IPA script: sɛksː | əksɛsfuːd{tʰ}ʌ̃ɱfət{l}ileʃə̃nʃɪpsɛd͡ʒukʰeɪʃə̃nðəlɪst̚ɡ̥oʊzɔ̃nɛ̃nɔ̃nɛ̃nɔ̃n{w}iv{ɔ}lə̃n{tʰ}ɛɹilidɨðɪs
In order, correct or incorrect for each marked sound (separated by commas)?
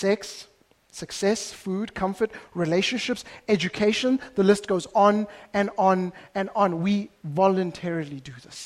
incorrect, incorrect, correct, correct, correct